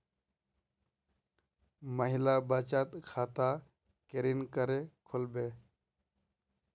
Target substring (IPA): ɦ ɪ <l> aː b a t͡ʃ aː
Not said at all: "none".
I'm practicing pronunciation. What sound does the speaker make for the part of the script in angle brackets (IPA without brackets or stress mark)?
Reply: l